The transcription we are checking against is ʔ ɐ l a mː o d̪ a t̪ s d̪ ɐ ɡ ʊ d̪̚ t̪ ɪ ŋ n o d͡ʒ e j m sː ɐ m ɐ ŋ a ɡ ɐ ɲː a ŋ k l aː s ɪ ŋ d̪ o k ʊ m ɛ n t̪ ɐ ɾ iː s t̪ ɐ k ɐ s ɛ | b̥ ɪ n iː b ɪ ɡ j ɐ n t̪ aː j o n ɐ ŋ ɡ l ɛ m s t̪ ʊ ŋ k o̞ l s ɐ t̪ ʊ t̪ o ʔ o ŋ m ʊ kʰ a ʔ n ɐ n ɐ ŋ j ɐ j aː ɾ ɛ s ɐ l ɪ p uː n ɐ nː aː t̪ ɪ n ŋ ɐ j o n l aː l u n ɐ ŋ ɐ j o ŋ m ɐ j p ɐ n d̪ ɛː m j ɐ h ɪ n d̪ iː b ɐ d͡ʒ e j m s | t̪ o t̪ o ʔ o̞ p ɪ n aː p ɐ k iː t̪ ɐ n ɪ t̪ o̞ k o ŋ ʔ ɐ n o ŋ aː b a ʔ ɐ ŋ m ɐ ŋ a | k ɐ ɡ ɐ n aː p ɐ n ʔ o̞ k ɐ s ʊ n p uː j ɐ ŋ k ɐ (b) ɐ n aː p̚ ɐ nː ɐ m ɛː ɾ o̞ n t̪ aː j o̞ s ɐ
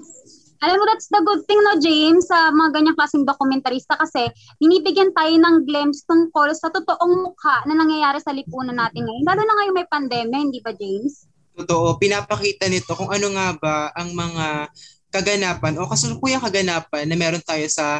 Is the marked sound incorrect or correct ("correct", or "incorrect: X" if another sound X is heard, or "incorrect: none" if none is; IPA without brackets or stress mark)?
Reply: incorrect: ɡ